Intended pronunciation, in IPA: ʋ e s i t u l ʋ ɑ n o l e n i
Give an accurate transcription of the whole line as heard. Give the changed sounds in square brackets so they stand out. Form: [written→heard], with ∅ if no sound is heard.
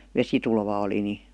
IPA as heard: ʋ e s i t u l ʋ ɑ [n→∅] o l [e→i] n i